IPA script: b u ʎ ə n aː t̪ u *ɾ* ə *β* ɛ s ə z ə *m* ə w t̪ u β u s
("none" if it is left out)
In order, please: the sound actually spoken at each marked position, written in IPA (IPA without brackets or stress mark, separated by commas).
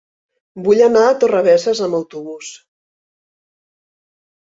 r, β, m